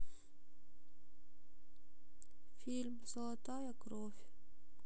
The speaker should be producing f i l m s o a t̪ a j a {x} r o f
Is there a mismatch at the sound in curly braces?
yes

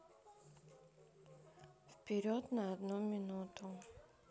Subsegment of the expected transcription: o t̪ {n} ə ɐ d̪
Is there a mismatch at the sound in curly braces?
no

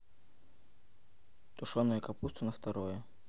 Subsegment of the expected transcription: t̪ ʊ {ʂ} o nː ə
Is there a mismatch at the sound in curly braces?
no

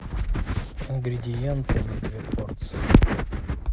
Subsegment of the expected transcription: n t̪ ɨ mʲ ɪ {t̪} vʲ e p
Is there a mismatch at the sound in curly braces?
yes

